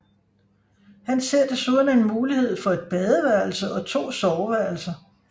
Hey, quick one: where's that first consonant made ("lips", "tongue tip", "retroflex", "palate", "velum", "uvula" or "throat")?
throat